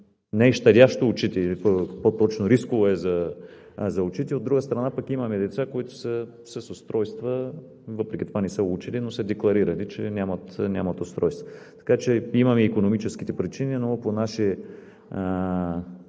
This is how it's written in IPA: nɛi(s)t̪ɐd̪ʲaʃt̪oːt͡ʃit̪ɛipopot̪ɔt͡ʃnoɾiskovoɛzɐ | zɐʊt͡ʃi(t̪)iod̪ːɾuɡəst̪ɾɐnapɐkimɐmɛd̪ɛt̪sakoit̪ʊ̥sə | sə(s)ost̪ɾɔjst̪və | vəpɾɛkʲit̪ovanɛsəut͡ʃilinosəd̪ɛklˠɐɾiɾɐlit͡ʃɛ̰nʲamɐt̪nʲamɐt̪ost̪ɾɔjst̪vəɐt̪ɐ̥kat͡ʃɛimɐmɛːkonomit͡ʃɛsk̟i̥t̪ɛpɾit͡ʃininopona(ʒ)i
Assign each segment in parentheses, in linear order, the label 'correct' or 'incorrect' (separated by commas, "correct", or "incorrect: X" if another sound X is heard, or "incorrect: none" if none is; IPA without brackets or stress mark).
incorrect: ʃ, correct, correct, incorrect: ʃ